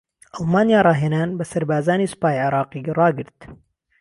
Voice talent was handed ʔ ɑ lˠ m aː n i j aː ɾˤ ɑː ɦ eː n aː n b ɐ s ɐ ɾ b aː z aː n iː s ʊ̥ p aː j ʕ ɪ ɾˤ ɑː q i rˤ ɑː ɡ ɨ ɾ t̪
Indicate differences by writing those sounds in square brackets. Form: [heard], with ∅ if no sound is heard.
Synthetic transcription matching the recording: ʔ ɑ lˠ m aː n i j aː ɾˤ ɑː ɦ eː n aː n b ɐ s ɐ ɾ b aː z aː n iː s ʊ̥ p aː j ʕ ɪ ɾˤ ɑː q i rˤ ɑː ɡ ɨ ɾ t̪